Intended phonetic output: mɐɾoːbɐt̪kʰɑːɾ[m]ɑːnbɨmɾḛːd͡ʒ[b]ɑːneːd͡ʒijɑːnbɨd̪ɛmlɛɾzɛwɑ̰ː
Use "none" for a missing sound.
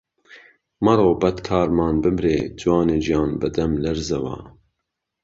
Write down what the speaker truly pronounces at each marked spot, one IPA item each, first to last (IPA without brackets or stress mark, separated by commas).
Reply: m, w